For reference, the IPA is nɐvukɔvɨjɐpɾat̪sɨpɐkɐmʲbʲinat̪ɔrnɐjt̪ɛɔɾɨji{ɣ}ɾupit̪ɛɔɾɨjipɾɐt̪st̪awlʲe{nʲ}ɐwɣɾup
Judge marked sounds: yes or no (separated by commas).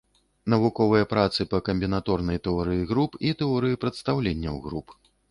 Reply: yes, no